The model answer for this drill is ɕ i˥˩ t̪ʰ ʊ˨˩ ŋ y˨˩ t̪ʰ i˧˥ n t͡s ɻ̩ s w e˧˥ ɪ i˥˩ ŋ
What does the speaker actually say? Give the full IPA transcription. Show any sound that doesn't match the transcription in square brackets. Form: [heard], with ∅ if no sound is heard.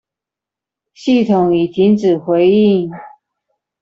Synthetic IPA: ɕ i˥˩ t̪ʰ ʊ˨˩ ŋ [i˨˩] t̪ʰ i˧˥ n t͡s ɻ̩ [x] w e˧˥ ɪ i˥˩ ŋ